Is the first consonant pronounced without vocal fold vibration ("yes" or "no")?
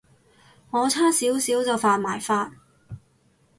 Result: no